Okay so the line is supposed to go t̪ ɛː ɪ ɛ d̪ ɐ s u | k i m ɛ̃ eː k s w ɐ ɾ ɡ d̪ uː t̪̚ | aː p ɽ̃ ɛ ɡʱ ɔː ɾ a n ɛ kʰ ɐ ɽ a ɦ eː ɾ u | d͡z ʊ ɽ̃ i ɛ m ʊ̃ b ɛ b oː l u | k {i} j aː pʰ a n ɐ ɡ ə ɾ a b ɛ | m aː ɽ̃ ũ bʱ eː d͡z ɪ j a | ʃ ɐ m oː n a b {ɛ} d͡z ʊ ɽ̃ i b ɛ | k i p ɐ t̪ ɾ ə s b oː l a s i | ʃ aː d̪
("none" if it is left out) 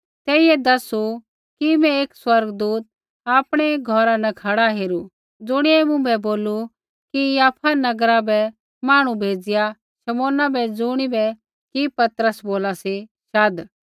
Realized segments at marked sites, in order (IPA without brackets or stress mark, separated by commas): i, ɛ